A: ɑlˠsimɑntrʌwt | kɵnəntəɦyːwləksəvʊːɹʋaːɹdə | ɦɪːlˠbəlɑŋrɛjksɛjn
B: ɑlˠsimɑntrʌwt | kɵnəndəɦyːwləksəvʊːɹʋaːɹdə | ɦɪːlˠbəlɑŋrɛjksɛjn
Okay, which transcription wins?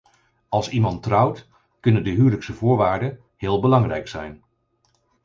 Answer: B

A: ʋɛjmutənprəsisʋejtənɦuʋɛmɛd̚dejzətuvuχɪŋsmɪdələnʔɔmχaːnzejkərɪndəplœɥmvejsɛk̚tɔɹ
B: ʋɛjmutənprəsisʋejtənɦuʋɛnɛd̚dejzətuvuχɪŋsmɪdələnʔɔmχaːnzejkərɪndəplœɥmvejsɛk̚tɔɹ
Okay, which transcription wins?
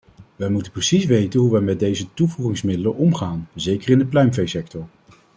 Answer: A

